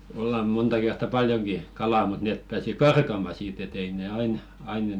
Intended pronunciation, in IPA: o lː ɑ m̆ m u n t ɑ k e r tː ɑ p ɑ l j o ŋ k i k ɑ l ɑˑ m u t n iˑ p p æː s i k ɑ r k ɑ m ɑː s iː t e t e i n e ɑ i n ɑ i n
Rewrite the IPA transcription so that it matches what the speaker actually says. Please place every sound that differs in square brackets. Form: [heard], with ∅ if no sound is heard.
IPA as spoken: o lː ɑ m̆ m u n t ɑ k e r tː ɑ p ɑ l j o ŋ k i k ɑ l ɑˑ m u t n [eˑ] p p æː s i k ɑ r k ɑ m [ɑ] s iː t e t e i n e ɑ i n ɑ i n